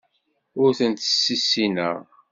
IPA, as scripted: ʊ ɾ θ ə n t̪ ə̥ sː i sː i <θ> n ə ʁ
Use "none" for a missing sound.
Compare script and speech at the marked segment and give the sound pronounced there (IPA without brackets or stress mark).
none